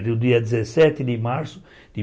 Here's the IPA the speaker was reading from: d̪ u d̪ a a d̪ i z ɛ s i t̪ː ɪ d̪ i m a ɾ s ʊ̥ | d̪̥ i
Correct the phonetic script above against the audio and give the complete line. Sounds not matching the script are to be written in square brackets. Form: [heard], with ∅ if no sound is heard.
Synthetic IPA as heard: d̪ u d̪ [i] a d̪ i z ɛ s [ɛ] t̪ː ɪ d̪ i m a ɾ s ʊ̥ | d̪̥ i